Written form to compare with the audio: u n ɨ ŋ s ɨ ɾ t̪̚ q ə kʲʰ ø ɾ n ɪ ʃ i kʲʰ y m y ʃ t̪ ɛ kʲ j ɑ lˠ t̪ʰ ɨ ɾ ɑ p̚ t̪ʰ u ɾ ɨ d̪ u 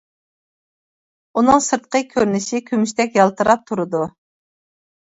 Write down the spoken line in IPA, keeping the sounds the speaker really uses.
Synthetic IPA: u n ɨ ŋ s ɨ ɾ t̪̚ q ə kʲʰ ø ɾ n ɪ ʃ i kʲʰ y m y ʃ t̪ ɛ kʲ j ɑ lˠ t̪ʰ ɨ ɾ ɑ p̚ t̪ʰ u ɾ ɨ d̪ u